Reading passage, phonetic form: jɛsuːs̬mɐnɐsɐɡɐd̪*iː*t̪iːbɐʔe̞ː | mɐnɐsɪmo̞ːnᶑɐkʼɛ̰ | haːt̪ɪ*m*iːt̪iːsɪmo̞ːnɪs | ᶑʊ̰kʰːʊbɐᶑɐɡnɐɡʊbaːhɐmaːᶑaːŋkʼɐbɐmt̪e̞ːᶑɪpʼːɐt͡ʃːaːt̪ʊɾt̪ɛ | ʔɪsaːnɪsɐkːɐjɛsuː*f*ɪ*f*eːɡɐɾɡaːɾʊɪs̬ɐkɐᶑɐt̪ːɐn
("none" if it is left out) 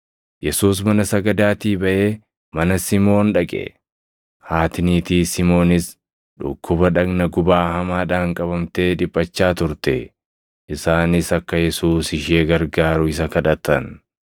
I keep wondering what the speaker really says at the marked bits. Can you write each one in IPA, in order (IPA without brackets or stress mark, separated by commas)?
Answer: aː, n, s, ʃ